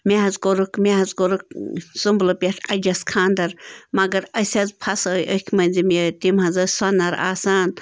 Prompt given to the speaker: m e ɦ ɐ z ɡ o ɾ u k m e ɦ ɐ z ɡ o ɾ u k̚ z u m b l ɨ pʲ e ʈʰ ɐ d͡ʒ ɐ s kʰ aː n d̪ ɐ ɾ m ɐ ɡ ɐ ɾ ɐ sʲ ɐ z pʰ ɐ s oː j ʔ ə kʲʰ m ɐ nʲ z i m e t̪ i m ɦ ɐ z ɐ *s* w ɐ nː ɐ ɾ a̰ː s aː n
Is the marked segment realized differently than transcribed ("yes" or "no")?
no